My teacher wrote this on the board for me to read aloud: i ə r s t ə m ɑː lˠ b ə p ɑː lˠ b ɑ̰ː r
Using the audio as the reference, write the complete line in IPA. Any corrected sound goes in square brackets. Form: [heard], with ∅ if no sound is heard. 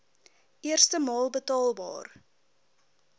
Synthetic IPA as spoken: i ə r s t ə m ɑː lˠ b ə [t] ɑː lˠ b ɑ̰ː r